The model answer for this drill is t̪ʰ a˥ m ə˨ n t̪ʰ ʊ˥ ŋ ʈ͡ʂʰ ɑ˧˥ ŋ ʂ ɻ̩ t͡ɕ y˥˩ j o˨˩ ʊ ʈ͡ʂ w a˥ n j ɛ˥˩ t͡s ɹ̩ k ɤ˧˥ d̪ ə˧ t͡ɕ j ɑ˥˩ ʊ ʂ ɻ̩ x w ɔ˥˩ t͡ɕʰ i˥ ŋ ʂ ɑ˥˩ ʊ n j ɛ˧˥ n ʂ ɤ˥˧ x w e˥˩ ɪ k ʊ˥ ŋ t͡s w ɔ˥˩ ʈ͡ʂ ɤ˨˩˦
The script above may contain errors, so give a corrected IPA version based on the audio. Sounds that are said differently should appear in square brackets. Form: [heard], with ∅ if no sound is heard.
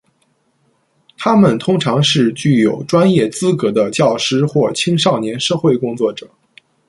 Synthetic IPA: t̪ʰ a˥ m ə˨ n t̪ʰ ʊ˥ ŋ ʈ͡ʂʰ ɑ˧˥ ŋ ʂ ɻ̩ t͡ɕ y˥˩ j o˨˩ ʊ ʈ͡ʂ w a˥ n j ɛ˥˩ t͡s ɹ̩ k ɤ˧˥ d̪ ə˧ t͡ɕ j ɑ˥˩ ʊ ʂ ɻ̩ x w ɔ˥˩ t͡ɕʰ i˥ ŋ ʂ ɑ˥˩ ʊ n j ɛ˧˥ n ʂ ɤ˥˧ x w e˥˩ ɪ k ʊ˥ ŋ t͡s w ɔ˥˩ ʈ͡ʂ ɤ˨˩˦